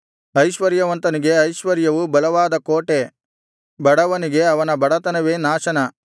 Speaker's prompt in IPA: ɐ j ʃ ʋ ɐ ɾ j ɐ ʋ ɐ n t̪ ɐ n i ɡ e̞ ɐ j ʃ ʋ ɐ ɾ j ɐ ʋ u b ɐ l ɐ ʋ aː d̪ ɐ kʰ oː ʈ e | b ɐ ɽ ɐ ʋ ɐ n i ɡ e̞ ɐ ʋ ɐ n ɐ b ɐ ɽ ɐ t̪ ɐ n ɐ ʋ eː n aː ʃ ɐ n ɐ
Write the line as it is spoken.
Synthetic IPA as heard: ɐ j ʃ ʋ ɐ ɾ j ɐ ʋ ɐ n t̪ ɐ n i ɡ e̞ ɐ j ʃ ʋ ɐ ɾ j ɐ ʋ u b ɐ l ɐ ʋ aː d̪ ɐ k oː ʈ e | b ɐ ɽ ɐ ʋ ɐ n i ɡ e̞ ɐ ʋ ɐ n ɐ b ɐ ɽ ɐ t̪ ɐ n ɐ ʋ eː n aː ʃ ɐ n ɐ